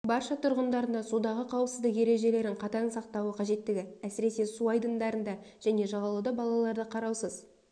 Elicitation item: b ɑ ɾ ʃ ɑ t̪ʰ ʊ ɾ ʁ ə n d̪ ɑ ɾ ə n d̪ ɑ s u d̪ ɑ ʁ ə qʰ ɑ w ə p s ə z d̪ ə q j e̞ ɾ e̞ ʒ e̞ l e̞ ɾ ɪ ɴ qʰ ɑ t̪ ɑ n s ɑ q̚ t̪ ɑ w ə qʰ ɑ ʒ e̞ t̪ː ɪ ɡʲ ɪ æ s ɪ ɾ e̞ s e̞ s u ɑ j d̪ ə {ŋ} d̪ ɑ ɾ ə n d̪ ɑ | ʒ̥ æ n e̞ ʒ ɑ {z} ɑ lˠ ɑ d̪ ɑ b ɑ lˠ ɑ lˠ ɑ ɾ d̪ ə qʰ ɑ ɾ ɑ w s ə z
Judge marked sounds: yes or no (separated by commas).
no, no